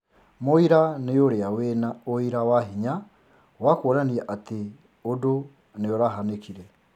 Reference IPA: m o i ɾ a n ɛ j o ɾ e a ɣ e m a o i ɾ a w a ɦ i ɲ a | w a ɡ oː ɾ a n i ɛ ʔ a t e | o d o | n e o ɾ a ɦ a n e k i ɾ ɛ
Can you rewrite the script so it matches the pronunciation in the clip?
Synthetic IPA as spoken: m o i ɾ a n e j o ɾ e a w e n a o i ɾ a w a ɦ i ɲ a | w a k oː ɾ a n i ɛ ʔ a t e | o d o | n e o ɾ a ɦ a n e k i ɾ ɛ